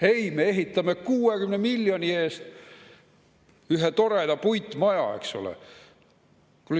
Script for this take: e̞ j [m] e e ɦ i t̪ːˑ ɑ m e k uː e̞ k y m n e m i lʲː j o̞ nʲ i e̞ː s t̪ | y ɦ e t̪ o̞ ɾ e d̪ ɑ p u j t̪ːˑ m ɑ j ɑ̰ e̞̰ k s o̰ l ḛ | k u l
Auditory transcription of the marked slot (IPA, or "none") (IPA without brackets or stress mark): m